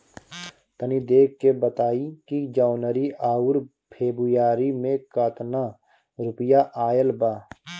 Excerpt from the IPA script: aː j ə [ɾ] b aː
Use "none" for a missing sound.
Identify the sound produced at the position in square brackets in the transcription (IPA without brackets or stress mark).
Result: l